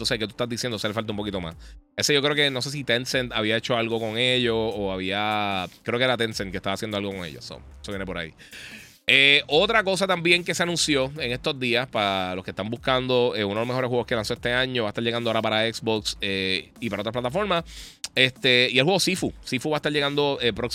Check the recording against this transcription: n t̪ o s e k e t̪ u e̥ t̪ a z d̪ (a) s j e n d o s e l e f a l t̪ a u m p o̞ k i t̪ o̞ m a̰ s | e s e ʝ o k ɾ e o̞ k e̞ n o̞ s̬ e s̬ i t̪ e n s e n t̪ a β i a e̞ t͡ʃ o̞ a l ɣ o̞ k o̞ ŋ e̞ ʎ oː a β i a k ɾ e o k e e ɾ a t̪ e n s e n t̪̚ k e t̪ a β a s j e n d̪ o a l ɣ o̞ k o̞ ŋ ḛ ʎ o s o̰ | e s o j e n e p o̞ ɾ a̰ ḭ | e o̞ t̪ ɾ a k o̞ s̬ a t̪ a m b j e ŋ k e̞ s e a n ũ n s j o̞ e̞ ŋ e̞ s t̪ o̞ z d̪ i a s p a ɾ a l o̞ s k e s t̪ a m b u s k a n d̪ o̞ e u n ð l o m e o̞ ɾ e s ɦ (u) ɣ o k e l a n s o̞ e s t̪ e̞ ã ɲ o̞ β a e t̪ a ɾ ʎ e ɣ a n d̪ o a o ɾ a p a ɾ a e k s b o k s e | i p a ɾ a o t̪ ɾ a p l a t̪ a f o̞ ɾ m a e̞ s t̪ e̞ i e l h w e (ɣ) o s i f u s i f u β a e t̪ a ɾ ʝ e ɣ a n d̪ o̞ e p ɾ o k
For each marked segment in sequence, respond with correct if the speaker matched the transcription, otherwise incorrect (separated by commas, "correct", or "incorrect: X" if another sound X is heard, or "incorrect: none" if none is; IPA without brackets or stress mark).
incorrect: i, incorrect: w, correct